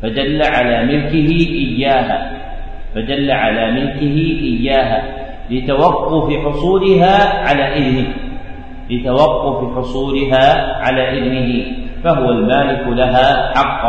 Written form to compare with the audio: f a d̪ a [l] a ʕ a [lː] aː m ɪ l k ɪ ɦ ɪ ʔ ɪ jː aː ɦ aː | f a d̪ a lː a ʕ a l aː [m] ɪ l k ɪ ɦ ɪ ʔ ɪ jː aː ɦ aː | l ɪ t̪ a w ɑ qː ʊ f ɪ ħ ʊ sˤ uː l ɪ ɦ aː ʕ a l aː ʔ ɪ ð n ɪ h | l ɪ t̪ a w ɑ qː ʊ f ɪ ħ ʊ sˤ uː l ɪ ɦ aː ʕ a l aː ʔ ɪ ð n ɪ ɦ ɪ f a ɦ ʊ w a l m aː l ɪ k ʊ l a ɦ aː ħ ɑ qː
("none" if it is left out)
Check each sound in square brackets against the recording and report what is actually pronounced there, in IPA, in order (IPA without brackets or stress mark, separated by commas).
lː, l, m